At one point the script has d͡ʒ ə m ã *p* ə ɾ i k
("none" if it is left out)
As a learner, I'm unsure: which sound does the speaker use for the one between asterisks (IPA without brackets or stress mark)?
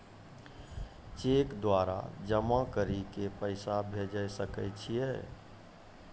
k